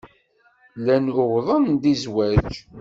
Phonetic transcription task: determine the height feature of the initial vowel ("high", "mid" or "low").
low